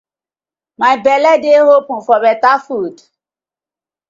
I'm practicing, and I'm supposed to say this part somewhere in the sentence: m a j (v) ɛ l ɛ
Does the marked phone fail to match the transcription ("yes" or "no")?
yes